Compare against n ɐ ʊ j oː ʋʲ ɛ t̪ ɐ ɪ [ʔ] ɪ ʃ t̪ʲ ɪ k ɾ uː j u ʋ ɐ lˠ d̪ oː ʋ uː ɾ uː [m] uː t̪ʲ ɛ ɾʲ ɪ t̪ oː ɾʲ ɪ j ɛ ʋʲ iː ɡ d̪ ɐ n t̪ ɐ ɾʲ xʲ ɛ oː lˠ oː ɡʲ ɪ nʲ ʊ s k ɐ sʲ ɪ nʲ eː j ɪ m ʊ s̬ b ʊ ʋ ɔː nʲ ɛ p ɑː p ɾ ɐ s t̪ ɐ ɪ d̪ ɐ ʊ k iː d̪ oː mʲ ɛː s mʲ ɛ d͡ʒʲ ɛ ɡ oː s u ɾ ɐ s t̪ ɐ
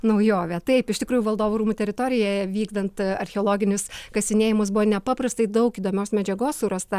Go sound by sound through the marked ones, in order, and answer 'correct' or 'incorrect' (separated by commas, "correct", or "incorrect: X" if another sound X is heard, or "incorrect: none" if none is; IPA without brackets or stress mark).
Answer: incorrect: p, correct